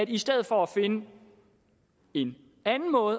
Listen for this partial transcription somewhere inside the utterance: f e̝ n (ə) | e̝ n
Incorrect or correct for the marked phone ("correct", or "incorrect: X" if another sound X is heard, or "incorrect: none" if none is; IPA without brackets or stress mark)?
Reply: correct